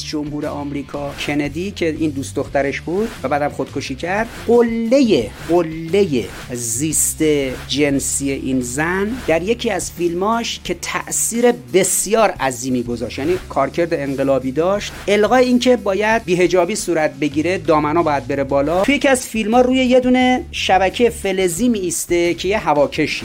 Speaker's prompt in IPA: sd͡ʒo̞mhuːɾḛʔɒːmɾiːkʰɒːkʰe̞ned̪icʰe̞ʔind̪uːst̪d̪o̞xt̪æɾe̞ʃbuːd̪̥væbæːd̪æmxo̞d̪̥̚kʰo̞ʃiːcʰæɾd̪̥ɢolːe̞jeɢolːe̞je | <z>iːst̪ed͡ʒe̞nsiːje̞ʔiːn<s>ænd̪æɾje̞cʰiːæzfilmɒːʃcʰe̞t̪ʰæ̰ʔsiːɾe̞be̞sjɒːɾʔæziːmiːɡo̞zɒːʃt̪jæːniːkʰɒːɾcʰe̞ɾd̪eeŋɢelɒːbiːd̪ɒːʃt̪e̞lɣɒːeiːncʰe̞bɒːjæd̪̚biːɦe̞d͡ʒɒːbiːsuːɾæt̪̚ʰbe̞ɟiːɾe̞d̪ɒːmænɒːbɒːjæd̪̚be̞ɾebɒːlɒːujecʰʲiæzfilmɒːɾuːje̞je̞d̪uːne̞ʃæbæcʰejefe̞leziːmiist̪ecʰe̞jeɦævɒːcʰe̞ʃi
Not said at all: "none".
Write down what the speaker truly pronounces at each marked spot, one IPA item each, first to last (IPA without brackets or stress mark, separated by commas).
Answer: z, z